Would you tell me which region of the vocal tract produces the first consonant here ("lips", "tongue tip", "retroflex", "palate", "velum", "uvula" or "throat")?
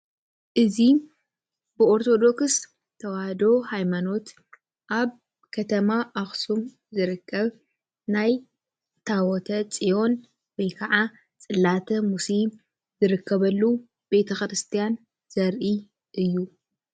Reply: throat